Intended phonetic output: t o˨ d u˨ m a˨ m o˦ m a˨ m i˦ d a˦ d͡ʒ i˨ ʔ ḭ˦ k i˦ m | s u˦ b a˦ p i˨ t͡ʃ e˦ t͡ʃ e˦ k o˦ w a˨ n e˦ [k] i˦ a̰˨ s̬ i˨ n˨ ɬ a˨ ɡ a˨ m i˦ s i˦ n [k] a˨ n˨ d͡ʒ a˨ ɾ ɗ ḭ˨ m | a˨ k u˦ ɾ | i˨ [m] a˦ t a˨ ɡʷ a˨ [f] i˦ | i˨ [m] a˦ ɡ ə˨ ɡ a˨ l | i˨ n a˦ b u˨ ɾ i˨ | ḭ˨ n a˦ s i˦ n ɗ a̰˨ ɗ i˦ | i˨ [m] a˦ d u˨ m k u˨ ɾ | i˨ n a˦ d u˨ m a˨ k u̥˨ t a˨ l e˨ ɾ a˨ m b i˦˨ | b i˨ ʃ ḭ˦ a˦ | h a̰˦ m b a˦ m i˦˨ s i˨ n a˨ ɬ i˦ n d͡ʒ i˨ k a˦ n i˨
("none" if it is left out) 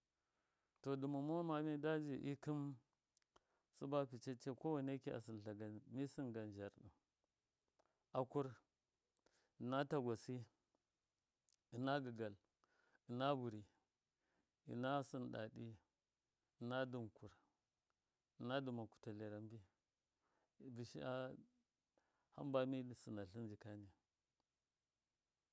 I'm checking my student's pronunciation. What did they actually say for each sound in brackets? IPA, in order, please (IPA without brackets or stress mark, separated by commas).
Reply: k, ɡ, n, s, n, n